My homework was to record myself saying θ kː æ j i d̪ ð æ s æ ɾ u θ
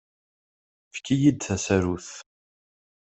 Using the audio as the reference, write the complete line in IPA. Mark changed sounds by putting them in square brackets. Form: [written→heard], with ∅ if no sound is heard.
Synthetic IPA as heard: [θ→f] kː [æ→i] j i d̪ [ð→θ] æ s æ ɾ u θ